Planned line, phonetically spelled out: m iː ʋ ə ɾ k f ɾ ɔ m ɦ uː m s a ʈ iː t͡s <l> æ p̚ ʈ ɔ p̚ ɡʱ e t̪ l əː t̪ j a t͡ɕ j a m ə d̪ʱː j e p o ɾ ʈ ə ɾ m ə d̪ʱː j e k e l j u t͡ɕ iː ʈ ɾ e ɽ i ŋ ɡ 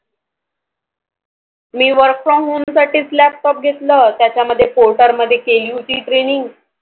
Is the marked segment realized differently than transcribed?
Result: no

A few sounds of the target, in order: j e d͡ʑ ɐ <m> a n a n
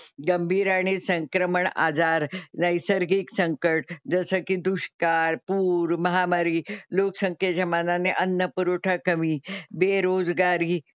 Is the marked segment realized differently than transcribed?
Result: no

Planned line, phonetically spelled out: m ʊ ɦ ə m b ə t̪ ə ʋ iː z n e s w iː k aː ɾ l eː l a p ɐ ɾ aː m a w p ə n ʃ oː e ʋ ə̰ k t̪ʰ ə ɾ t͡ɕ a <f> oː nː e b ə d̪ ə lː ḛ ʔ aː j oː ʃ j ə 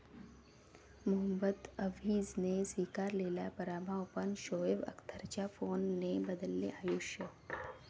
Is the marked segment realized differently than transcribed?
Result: no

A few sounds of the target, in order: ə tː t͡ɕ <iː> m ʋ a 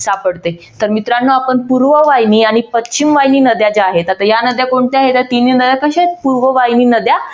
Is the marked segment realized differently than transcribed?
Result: yes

